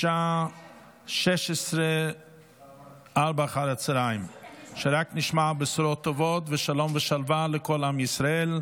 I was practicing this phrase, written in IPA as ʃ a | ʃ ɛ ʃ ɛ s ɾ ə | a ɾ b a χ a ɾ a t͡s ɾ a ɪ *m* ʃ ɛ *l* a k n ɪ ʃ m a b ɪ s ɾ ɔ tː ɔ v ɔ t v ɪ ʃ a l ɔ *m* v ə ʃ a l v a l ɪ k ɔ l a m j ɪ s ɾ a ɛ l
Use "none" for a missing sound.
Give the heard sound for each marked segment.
m, ɾ, m

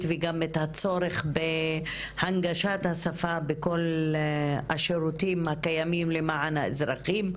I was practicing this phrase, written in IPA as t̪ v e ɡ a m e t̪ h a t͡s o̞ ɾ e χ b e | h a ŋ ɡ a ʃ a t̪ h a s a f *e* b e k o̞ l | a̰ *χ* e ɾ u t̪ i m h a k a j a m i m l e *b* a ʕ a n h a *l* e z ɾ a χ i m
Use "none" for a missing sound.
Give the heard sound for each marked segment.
a, ʃ, m, none

